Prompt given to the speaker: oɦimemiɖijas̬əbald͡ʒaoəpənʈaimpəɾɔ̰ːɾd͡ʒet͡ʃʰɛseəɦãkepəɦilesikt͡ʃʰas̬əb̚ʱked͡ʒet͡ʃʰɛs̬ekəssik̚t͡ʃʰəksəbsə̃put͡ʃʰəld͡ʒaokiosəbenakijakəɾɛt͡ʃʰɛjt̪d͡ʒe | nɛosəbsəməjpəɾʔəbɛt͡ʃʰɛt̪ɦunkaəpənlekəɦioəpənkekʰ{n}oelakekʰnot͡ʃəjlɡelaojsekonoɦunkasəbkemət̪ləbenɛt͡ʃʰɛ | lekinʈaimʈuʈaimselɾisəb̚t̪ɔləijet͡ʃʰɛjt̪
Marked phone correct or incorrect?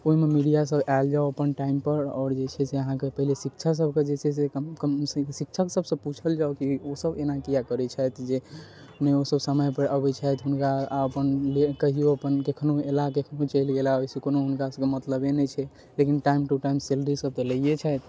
correct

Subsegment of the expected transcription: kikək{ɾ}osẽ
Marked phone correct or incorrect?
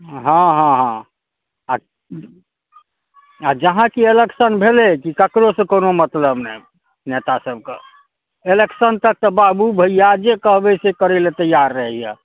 correct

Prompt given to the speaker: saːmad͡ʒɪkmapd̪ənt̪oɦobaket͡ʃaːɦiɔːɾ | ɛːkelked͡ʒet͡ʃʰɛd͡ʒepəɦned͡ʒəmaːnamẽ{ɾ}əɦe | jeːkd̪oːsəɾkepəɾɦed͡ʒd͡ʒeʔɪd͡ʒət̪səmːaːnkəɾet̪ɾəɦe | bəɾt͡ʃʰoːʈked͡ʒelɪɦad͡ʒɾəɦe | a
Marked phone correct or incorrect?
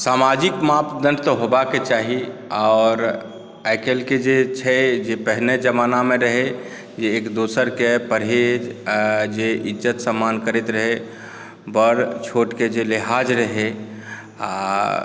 correct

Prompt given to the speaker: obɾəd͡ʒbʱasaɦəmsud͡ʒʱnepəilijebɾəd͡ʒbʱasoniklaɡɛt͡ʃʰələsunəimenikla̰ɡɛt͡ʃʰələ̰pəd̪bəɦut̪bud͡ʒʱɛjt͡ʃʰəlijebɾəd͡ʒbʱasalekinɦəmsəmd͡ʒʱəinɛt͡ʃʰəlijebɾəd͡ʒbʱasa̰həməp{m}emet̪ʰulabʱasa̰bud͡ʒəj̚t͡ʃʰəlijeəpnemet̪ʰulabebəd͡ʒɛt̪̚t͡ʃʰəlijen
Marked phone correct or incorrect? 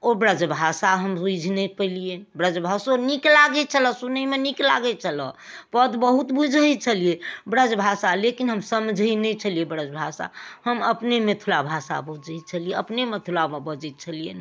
incorrect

